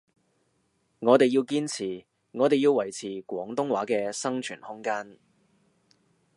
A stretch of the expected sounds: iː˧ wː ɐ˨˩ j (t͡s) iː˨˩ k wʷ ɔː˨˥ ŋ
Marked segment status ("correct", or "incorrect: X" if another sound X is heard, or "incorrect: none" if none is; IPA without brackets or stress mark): incorrect: t͡sʰ